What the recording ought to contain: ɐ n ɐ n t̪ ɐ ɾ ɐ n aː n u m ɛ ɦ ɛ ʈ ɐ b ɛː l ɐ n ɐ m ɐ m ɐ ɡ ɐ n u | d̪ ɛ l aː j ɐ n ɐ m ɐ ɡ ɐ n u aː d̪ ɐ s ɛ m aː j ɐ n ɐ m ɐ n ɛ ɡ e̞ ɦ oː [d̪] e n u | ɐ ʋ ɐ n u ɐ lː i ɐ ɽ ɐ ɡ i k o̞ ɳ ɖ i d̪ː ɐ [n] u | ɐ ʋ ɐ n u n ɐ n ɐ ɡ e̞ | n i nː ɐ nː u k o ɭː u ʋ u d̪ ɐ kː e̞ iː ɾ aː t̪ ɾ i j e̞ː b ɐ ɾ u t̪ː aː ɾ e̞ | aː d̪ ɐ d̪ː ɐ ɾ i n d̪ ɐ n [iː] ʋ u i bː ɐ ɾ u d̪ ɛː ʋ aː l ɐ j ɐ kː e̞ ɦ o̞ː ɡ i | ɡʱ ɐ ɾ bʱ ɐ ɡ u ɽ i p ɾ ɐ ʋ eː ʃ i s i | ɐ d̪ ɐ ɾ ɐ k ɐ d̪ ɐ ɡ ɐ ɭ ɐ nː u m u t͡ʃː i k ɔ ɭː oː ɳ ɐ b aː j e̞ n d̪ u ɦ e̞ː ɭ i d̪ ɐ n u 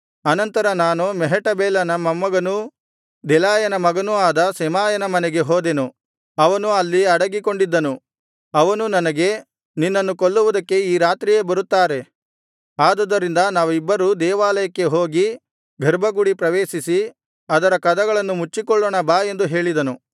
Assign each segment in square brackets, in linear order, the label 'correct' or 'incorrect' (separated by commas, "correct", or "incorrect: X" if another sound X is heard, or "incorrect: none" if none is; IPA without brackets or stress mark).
correct, correct, incorrect: aː